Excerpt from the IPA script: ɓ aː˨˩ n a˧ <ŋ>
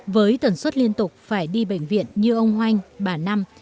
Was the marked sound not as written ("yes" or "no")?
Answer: yes